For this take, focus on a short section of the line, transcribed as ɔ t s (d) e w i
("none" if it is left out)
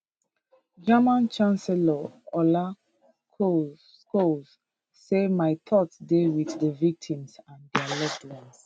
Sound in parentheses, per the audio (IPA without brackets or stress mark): d